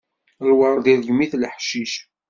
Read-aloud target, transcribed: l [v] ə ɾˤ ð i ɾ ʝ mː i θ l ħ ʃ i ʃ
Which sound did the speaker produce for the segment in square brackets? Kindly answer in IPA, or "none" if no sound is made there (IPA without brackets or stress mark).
w